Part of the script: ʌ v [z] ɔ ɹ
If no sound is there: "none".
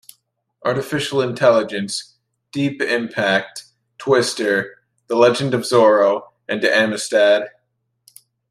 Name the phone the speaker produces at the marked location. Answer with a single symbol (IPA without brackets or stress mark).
z